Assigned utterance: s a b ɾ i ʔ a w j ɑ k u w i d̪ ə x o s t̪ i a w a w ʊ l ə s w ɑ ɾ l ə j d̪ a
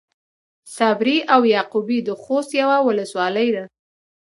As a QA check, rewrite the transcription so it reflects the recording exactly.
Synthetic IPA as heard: s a b ɾ i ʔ a w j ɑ q u b i d̪ ə x o s t̪ j a w a w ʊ l ə s w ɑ l ə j d̪ a